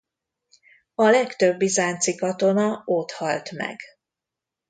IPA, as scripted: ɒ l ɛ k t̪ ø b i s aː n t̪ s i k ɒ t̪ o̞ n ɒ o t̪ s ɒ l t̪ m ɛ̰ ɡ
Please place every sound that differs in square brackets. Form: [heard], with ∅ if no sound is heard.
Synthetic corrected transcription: ɒ l ɛ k t̪ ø [bː] i [z] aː n t̪ s i k ɒ t̪ o̞ n ɒ o t̪ [h] ɒ l t̪ m ɛ̰ ɡ